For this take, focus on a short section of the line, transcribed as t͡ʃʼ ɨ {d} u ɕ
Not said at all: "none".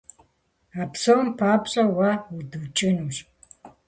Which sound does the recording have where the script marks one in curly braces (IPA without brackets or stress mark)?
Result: n